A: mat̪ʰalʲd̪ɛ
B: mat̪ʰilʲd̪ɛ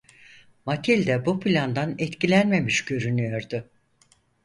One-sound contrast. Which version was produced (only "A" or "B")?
B